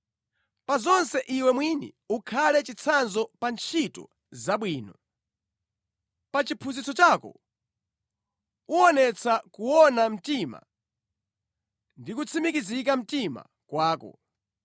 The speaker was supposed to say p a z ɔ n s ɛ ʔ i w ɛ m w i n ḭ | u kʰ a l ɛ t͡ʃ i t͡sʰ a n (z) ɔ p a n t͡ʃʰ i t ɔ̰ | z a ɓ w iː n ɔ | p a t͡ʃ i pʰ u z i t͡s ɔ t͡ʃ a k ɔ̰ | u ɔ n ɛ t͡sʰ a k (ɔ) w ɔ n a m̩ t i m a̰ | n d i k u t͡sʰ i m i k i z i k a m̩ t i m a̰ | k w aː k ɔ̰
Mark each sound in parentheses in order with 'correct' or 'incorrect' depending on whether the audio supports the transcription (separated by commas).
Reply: correct, incorrect